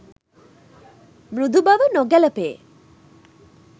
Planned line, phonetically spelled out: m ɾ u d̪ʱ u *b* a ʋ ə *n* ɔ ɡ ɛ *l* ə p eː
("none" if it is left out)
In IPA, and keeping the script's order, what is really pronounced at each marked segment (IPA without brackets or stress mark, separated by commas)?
b, n, l